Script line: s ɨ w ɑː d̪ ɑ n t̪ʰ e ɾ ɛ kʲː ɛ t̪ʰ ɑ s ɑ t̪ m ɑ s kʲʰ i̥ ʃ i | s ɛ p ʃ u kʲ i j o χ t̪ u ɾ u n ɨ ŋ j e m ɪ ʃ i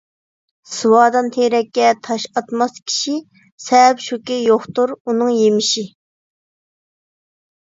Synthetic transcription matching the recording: s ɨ w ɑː d̪ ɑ n t̪ʰ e ɾ ɛ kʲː ɛ t̪ʰ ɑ ʃ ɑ t̪ m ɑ s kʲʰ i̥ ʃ i | s ɛ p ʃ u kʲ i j o χ t̪ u ɾ u n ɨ ŋ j e m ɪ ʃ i

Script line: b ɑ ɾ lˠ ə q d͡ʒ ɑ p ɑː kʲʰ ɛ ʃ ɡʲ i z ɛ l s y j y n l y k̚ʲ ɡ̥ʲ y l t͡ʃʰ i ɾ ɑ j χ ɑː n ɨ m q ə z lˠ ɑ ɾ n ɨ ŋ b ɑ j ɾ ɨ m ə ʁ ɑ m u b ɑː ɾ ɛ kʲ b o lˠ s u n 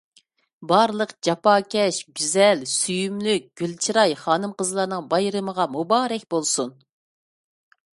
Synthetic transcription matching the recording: b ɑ ɾ lˠ ə q d͡ʒ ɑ p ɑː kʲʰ ɛ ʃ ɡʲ y z ɛ l s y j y m l y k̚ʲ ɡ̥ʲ y l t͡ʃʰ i ɾ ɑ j χ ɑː n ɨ m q ə z lˠ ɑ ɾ n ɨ ŋ b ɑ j ɾ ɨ m ə ʁ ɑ m u b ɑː ɾ ɛ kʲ b o lˠ s u n

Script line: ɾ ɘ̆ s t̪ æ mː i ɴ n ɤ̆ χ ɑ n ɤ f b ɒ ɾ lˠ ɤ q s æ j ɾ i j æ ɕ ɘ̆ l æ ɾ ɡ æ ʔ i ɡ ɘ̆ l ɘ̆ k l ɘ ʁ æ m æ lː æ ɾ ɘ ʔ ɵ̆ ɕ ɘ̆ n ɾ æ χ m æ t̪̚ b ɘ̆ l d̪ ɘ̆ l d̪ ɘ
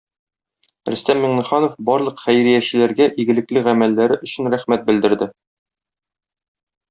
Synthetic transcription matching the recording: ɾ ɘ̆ s t̪ æ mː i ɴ n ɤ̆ χ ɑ n o f b ɒ ɾ lˠ ɤ q χ æ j ɾ i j æ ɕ ɘ̆ l æ ɾ ɡ æ ʔ i ɡ ɘ̆ l ɘ̆ k l ɘ ʁ æ m æ lː æ ɾ ɘ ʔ ɵ̆ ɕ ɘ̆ n ɾ æ χ m æ t̪̚ b ɘ̆ l d̪ ɘ̆ ɾ d̪ ɘ

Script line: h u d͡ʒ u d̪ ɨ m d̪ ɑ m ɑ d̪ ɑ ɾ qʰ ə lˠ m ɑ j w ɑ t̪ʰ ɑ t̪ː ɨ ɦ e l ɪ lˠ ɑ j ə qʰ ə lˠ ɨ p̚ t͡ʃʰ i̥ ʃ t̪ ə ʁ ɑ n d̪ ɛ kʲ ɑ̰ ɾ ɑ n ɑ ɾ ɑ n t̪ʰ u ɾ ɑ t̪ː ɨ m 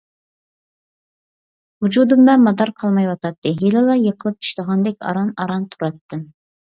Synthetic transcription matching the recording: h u d͡ʒ u d̪ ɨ m d̪ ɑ m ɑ d̪ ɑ ɾ qʰ ɑ lˠ m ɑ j w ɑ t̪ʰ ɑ t̪ː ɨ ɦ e l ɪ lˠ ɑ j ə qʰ ə lˠ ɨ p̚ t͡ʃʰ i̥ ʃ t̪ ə ʁ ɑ n d̪ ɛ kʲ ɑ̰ ɾ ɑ n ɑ ɾ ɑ n t̪ʰ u ɾ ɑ t̪ː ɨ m

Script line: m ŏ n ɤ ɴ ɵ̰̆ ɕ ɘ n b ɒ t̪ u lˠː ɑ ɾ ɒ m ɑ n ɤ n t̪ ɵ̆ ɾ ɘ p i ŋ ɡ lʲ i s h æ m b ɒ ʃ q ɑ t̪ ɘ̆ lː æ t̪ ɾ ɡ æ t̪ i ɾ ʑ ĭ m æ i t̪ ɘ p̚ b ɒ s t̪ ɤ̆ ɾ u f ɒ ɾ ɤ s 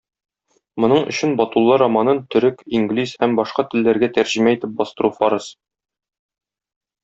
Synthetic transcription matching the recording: m ŏ n ɤ ɴ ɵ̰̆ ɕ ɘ n b ɒ t̪ u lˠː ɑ ɾ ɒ m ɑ n ɤ n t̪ ɵ̆ ɾ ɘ k i ŋ ɡ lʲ i s h æ m b ɒ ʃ q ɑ t̪ ɘ̆ lː æ ɾ ɡ æ t̪ æ ɾ ʑ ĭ m æ i t̪ ɘ p̚ b ɒ s t̪ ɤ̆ ɾ u f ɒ ɾ ɤ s

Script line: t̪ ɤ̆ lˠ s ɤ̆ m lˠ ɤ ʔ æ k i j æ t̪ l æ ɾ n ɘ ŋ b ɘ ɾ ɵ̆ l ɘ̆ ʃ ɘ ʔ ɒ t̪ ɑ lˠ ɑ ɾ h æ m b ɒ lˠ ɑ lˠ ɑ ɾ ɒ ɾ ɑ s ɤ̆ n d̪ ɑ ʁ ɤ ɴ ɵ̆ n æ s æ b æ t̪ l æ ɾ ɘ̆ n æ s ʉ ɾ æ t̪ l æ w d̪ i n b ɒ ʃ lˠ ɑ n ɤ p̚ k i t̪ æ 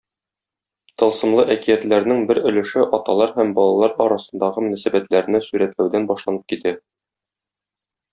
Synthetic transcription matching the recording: t̪ ɤ̆ lˠ s ɤ̆ m lˠ ɤ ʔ æ k i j æ t̪ l æ ɾ n ɘ ŋ b ɘ ɾ ɵ̆ l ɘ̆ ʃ ɘ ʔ ɒ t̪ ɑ lˠ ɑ ɾ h æ m b ɒ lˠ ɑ lˠ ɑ ɾ ɒ ɾ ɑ s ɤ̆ n d̪ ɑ ʁ ɤ m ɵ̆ n æ s æ b æ t̪ l æ ɾ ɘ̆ n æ s ʉ ɾ æ t̪ l æ w d̪ æ n b ɒ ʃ lˠ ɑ n ɤ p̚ k i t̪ æ

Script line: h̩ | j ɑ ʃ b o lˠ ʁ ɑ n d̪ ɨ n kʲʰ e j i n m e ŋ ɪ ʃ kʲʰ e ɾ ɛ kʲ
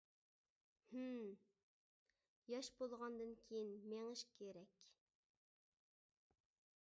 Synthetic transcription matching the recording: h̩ | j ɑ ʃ b o lˠ ʁ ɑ n d̪ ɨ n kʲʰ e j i n m e ŋ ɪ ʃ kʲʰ e ɾ ɛ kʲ

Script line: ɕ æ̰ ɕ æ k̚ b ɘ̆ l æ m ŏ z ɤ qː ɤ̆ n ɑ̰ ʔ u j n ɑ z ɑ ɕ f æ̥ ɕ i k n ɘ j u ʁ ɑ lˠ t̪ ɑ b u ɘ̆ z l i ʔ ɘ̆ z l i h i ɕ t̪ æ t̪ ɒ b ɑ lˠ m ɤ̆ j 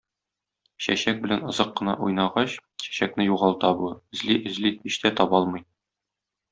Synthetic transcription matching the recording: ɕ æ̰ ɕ æ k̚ b ɘ̆ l æ n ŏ z ɤ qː ɤ̆ n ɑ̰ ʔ u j n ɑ ʁ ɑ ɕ ɕ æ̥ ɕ æ k n ɘ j u ʁ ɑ lˠ t̪ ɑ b u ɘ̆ z l i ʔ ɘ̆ z l i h i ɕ t̪ æ t̪ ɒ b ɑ lˠ m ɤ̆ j

